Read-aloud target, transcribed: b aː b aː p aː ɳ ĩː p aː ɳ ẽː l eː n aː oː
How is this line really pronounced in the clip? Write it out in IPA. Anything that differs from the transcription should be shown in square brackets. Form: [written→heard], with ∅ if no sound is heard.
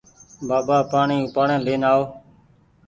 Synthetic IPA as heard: b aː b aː p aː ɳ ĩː p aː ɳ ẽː l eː n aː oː